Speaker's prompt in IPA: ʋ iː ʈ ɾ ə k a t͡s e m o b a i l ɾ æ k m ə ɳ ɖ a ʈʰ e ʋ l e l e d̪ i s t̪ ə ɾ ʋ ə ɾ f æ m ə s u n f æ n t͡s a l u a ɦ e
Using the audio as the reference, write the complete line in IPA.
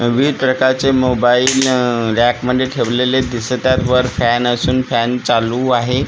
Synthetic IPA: ʋ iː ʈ ɾ ə k a t͡s e m o b a i l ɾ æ k m ə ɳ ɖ e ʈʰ e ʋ l e l e d̪ i s t̪ a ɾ ʋ ə ɾ f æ n ə s uː n f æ n t͡s a l u a ɦ e